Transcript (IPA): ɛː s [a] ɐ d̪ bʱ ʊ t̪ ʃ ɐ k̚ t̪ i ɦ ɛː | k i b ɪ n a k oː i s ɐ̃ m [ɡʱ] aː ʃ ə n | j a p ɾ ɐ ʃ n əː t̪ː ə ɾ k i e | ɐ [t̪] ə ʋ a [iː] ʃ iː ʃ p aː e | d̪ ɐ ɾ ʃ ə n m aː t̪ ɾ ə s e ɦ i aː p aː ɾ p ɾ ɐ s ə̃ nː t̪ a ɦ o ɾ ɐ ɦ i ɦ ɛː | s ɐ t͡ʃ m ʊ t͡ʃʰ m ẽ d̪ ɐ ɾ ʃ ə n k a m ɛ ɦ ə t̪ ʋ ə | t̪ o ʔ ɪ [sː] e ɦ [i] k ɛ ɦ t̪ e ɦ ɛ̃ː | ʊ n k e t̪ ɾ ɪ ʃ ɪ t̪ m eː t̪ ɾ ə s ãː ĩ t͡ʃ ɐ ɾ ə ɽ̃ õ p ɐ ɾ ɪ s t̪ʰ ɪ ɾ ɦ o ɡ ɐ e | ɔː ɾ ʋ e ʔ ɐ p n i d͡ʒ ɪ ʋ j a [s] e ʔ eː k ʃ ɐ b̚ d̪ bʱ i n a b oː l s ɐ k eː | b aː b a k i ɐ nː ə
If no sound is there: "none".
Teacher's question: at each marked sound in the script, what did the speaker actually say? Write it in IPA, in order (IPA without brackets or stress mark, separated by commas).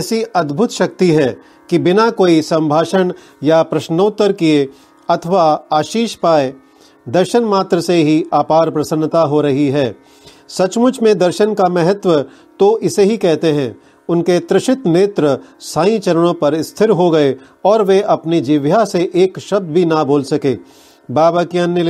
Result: i, bʱ, t̪ʰ, aː, s, i, s